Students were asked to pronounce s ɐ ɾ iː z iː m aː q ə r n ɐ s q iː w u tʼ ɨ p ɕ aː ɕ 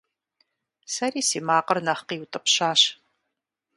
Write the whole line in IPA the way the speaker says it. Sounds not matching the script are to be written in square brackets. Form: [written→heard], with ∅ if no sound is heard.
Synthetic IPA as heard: s ɐ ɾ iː [z→s] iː m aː q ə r n ɐ [s→χ] q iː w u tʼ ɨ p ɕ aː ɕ